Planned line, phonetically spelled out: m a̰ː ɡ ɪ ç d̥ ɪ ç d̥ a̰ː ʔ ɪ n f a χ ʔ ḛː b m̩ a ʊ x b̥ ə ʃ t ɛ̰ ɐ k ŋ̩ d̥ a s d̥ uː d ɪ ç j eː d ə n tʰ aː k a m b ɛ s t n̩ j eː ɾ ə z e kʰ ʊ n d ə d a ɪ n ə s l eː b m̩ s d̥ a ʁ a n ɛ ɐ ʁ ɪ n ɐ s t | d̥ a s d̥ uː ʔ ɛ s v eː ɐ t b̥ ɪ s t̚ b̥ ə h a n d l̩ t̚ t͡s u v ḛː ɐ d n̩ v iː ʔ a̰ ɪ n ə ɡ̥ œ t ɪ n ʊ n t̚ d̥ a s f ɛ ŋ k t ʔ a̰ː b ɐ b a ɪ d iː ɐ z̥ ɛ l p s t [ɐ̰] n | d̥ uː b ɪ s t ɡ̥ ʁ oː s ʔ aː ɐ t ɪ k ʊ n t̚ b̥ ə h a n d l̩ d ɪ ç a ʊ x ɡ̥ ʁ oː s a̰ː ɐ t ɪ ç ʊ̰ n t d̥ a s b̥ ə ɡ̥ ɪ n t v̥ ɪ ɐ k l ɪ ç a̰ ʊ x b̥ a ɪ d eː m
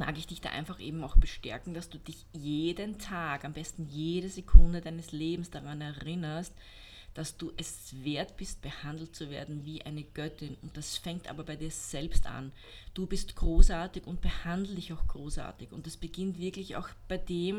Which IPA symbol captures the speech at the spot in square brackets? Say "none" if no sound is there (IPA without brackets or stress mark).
a̰